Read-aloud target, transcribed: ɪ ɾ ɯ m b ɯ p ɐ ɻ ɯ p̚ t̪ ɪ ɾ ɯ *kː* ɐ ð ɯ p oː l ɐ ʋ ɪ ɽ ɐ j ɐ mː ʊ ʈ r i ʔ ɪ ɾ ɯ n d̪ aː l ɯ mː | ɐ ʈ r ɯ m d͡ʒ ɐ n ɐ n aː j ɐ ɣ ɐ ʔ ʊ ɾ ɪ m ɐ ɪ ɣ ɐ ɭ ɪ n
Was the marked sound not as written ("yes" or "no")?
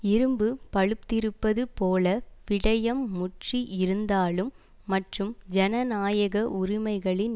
yes